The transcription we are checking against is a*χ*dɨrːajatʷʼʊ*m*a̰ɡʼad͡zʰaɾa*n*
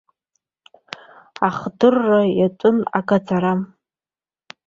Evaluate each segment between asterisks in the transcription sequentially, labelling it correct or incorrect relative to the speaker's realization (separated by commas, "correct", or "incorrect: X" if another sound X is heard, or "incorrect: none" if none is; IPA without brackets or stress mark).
correct, incorrect: n, incorrect: m